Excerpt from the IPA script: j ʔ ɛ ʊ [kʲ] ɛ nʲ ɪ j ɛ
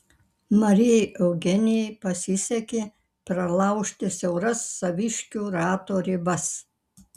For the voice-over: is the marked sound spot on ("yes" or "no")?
no